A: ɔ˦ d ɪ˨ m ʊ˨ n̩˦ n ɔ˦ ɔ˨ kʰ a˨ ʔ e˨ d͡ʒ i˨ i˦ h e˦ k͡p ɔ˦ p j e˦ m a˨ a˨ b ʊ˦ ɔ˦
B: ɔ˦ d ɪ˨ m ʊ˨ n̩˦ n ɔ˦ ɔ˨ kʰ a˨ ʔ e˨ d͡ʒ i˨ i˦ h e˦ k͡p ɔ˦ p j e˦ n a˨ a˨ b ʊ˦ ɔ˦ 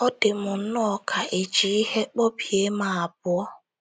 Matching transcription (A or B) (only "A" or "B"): A